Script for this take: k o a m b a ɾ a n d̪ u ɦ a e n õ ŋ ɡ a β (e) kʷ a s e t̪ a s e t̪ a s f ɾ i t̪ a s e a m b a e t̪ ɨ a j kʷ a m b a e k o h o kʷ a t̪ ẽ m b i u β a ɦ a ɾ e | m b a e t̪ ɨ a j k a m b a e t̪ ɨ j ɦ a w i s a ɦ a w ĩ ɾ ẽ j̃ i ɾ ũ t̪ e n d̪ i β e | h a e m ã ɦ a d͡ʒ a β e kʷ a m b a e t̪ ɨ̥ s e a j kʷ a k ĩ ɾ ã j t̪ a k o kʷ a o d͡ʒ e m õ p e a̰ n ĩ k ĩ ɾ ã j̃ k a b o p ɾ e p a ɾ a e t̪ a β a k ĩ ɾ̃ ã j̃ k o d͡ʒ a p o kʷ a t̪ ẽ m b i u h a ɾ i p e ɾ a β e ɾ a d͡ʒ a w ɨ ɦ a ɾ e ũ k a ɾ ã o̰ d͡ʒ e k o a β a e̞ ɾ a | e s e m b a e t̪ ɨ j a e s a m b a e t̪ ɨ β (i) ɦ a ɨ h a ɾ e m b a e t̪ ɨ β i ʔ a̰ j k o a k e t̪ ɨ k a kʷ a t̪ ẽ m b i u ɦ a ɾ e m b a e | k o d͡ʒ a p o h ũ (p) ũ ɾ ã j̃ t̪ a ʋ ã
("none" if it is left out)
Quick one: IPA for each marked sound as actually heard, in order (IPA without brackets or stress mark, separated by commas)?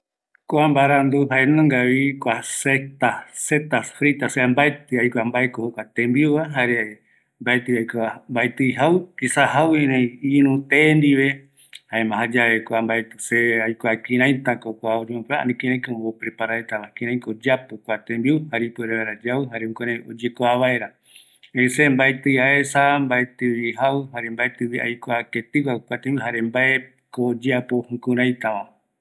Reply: i, i, k